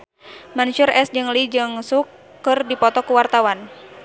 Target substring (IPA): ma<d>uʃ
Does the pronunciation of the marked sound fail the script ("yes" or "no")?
yes